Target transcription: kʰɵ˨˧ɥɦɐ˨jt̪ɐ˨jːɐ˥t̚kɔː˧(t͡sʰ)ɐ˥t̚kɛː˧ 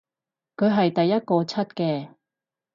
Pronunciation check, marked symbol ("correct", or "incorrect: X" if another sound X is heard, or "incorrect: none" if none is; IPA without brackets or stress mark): correct